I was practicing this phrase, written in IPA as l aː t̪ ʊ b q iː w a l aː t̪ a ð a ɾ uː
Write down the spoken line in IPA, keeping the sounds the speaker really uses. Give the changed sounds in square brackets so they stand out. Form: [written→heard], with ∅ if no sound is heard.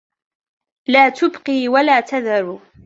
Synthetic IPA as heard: l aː t̪ ʊ b q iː w a l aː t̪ a ð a ɾ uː